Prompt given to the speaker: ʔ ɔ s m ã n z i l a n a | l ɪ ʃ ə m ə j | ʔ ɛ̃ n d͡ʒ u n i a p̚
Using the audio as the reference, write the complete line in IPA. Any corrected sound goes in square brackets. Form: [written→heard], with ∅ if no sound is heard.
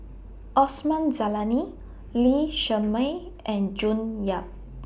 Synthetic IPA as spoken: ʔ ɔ s m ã n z [i→a] l a n [a→i] | l [ɪ→i] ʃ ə m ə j | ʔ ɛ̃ n d͡ʒ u n [i→j] a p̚